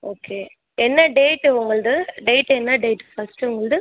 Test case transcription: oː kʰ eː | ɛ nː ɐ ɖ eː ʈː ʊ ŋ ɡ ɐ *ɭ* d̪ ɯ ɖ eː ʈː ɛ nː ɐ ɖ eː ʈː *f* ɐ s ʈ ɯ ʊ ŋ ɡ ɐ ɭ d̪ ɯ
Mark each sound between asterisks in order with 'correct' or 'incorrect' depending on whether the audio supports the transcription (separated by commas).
correct, correct